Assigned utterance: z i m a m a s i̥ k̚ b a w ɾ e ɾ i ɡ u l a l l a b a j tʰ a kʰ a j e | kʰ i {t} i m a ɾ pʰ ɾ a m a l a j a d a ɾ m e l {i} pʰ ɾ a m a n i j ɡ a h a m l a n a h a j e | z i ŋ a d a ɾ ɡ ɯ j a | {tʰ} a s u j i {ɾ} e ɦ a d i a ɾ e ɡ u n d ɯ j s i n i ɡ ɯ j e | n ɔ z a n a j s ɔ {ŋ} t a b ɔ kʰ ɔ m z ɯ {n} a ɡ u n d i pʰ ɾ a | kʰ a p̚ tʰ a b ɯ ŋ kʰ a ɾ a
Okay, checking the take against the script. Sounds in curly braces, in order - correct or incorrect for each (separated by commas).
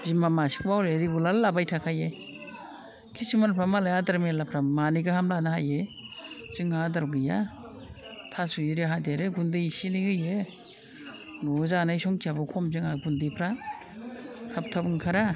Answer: incorrect, incorrect, correct, correct, correct, incorrect